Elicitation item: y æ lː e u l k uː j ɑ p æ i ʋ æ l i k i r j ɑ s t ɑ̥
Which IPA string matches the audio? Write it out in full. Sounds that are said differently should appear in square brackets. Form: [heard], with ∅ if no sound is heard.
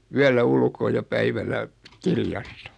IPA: y æ lː [æ] u l k [oː] j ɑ p æ i ʋ æ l [æ] k i r j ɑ s t ɑ̥